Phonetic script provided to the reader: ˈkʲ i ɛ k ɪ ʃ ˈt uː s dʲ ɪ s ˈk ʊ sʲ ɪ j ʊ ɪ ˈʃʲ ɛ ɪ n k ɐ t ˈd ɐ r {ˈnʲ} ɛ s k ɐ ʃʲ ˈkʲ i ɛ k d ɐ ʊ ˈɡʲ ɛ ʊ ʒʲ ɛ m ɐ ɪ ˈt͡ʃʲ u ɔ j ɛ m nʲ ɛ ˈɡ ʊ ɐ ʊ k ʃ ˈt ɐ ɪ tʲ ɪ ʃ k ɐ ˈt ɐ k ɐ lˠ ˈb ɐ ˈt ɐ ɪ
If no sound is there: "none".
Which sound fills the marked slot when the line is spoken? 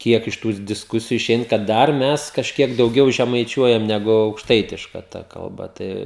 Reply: mʲ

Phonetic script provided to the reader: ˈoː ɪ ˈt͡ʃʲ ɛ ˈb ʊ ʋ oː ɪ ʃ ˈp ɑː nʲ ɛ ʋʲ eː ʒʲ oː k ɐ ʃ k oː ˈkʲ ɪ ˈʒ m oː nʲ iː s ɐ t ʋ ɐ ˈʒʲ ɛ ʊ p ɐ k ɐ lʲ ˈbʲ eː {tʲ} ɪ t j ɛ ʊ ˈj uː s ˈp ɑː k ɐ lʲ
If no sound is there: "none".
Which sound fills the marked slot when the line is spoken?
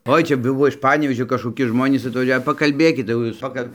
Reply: kʲ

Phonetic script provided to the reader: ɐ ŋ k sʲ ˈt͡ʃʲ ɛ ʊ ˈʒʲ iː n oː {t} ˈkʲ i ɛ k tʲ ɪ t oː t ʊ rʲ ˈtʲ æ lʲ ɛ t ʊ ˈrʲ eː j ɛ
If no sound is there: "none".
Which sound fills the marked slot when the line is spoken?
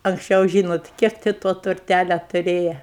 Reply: t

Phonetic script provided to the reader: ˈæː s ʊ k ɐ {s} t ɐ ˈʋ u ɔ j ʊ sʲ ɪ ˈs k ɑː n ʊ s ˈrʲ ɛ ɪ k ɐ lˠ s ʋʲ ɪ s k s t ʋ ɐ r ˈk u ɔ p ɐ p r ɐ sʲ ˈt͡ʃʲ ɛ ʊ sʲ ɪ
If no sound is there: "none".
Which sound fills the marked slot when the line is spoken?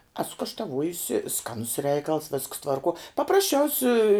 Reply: ʃ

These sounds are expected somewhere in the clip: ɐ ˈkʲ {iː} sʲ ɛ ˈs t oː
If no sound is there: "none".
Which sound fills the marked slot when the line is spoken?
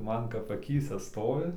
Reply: iː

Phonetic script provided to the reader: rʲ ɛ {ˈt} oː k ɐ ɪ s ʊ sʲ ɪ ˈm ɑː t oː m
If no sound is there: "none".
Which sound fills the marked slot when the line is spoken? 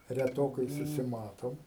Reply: t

